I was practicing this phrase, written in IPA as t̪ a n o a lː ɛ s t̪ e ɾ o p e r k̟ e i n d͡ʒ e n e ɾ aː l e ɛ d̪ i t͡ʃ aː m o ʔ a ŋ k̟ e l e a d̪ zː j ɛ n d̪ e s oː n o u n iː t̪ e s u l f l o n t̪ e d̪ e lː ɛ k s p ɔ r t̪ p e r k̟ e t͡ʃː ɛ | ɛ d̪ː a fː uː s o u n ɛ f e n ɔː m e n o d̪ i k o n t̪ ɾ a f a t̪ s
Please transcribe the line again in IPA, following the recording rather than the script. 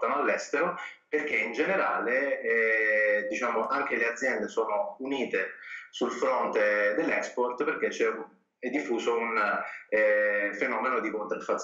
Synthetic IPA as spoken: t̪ a n o a lː ɛ s t̪ e ɾ o p e r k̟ e i n d͡ʒ e n e ɾ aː l e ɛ d̪ i t͡ʃ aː m o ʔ a ŋ k̟ e l e a d̪ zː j ɛ n d̪ e s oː n o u n iː t̪ e s u l f ɾ o n t̪ e d̪ e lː ɛ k s p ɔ r t̪ p e r k̟ e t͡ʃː ɛ | ɛ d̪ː i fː uː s o u n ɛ f e n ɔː m e n o d̪ i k o n t̪ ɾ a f a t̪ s